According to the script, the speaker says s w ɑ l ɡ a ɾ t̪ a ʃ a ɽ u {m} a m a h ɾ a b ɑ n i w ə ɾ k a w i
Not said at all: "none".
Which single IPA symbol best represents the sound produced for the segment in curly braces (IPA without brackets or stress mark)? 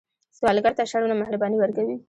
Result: n